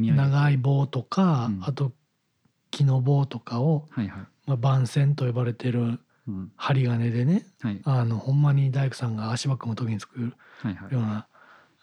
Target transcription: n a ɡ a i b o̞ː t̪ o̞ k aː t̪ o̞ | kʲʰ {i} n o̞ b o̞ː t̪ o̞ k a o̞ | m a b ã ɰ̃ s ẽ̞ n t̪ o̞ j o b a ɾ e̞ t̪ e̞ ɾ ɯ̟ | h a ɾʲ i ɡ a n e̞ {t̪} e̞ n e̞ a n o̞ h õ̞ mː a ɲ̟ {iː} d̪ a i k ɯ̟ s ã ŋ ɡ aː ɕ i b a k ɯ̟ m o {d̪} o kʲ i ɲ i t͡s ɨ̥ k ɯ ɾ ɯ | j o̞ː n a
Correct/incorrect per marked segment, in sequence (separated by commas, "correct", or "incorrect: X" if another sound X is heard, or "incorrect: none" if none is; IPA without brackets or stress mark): correct, incorrect: d̪, incorrect: i, incorrect: t̪